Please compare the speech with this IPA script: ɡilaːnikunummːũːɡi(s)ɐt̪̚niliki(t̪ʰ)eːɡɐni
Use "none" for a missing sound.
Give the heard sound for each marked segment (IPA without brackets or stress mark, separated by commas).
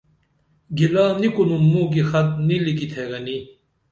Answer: x, t̪ʰ